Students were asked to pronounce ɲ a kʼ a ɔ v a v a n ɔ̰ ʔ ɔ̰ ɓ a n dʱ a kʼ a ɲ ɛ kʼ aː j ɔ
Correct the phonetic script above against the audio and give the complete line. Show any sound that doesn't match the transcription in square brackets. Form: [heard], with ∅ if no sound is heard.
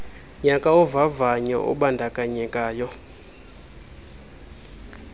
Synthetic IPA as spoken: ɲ a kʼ a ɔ v a v a [ɲ] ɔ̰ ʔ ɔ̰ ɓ a n dʱ a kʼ a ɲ ɛ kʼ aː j ɔ